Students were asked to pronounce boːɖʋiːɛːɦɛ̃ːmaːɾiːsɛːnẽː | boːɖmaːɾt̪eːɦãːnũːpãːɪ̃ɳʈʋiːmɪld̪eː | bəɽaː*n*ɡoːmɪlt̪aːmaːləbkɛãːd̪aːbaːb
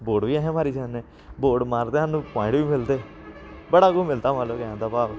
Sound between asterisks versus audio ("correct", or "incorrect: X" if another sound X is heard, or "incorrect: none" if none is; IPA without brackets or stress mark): incorrect: none